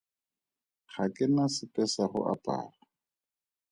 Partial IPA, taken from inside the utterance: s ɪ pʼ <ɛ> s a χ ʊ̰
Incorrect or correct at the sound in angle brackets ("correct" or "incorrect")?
correct